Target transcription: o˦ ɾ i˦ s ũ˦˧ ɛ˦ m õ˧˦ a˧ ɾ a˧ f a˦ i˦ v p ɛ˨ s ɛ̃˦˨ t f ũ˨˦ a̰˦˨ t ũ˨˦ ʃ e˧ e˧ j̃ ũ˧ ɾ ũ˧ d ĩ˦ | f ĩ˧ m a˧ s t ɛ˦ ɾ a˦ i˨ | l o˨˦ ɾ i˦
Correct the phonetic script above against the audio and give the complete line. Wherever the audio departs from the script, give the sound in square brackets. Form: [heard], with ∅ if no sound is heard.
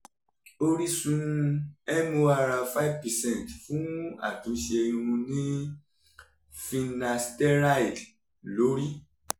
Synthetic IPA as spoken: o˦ ɾ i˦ s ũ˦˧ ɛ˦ m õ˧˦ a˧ ɾ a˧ f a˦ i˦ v p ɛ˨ s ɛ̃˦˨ t f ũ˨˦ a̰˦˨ t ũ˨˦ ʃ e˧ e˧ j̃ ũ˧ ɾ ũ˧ [n] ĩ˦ | f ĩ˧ [n] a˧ s t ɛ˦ ɾ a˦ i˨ | l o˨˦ ɾ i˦